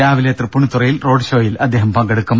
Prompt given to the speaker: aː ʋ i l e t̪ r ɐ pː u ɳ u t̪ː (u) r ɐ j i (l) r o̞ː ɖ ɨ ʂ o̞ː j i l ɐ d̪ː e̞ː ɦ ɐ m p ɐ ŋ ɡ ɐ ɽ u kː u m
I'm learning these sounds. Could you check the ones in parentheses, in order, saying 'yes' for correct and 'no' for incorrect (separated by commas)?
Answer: yes, yes